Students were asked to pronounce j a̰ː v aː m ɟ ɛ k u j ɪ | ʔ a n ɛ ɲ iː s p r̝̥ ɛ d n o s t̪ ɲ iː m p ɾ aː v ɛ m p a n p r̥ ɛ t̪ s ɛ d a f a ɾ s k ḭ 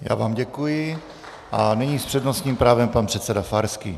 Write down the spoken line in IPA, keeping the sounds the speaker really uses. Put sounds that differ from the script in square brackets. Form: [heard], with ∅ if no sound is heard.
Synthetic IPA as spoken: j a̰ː v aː m ɟ ɛ k u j ɪ | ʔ a n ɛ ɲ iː s p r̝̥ ɛ d n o s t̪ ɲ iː m p ɾ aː v ɛ m p a n p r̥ ɛ t̪ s ɛ d a f a ɾ s k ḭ